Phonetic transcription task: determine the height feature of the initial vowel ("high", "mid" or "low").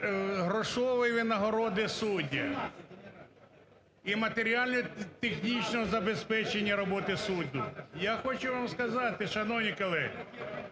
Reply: mid